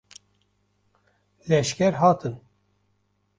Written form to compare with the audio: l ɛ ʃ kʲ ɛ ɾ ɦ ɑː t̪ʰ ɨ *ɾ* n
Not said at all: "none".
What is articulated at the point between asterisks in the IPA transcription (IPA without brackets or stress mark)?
none